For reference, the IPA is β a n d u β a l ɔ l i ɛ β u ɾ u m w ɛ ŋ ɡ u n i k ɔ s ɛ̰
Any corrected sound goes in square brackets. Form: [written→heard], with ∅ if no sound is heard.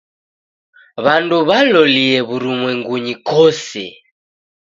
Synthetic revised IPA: β a n d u β a l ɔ l i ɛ β u ɾ u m w ɛ ŋ ɡ u [n→ɲ] i k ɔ s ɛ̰